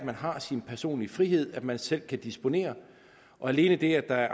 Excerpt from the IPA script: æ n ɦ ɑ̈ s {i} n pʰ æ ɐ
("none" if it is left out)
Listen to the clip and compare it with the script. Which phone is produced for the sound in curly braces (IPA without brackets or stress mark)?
i